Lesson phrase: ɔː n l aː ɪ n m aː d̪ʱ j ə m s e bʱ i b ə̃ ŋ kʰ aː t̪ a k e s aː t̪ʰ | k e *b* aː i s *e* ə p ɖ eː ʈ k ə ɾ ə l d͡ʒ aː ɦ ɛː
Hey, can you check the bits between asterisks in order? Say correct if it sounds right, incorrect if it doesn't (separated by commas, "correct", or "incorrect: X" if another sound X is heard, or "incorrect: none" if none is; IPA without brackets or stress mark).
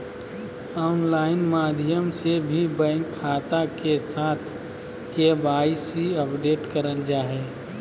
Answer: correct, incorrect: i